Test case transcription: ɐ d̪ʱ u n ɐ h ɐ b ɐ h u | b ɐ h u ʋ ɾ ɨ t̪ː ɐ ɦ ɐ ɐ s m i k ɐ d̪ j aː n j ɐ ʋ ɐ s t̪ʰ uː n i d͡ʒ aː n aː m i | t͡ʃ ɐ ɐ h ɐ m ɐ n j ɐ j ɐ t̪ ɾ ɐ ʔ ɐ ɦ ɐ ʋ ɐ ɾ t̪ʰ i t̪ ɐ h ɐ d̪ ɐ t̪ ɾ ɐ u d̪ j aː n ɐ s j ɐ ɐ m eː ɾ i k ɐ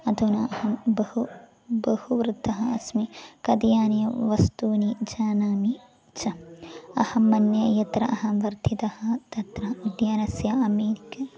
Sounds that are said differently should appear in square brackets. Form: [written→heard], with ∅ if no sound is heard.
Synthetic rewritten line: ɐ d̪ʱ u n ɐ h ɐ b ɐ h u | b ɐ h u ʋ ɾ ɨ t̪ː ɐ ɦ ɐ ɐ s m i k ɐ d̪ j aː n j ɐ ʋ ɐ s [t̪ʰ→t̪] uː n i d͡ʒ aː n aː m i | t͡ʃ ɐ ɐ h ɐ m ɐ n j ɐ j ɐ t̪ ɾ ɐ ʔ ɐ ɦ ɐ ʋ ɐ ɾ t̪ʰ i t̪ ɐ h ɐ [d̪→t̪] ɐ t̪ ɾ ɐ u d̪ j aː n ɐ s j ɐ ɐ m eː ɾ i k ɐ